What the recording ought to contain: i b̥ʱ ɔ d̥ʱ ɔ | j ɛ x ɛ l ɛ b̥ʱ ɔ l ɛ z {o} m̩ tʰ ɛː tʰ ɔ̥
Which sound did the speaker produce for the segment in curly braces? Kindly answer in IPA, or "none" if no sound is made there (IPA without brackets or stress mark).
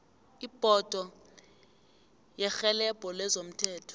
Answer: o